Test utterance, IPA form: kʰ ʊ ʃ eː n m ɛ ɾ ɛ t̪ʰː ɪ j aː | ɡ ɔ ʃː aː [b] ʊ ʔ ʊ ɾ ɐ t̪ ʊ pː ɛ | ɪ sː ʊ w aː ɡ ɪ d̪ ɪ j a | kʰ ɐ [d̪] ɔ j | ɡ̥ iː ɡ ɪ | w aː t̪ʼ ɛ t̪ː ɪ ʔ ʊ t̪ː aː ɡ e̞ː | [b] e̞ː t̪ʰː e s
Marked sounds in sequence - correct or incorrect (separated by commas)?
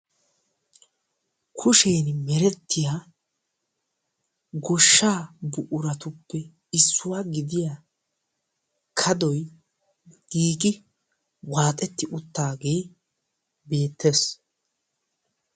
correct, correct, correct